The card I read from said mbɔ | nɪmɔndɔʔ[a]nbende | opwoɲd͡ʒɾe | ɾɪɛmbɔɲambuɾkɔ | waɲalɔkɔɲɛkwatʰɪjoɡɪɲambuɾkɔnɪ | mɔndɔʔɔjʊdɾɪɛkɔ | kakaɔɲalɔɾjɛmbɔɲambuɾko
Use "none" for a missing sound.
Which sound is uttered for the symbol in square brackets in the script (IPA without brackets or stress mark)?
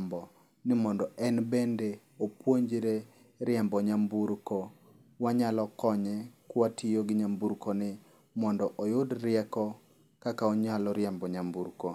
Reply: ɛ